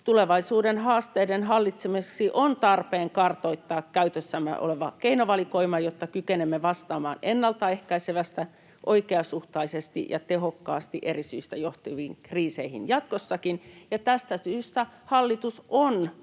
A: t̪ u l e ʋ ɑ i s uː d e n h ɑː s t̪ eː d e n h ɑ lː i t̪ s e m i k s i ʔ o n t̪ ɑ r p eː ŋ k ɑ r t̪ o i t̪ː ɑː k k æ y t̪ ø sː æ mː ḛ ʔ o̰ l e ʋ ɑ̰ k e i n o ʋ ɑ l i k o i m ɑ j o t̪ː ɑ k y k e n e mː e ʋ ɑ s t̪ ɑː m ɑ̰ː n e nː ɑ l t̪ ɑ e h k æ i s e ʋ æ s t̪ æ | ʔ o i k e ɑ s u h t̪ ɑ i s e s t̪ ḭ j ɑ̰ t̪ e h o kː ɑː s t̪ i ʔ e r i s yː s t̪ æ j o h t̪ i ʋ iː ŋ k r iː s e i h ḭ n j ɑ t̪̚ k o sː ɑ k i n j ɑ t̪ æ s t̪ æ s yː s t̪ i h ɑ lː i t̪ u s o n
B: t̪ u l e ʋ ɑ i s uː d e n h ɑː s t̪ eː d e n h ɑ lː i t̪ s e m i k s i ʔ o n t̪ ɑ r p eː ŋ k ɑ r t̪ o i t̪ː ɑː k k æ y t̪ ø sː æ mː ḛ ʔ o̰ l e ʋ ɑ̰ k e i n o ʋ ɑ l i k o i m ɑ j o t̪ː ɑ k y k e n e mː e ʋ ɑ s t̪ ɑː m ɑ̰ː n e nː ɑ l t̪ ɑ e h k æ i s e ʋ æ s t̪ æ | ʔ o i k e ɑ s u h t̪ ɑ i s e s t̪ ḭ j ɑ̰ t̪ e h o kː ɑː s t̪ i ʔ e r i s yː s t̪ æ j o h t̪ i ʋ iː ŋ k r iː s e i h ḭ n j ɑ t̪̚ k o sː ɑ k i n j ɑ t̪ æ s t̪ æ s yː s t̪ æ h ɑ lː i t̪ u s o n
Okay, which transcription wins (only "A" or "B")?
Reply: B